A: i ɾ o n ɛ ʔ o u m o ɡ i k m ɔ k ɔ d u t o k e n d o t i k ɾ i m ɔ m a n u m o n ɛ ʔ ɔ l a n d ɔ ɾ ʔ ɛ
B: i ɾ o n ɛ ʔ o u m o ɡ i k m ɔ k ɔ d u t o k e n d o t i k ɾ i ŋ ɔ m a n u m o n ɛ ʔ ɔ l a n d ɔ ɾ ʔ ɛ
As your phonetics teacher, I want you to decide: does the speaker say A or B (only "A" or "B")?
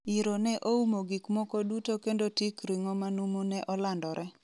B